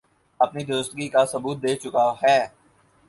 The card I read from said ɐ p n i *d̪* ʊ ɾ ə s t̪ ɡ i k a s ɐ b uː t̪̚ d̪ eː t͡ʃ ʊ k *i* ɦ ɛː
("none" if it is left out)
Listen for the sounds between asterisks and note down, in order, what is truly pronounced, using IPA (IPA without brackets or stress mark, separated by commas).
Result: d̪, a